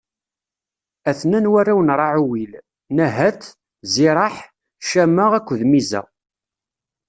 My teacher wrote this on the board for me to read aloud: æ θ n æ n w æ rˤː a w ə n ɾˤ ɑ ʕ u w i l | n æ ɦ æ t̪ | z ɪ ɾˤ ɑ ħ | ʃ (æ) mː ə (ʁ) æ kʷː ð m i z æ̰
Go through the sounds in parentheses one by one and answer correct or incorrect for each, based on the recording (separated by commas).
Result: correct, correct